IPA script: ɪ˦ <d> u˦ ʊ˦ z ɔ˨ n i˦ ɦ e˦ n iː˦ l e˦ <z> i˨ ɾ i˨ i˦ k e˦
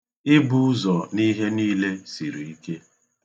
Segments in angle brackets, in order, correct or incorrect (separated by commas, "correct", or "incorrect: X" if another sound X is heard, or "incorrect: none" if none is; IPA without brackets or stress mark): incorrect: b, incorrect: s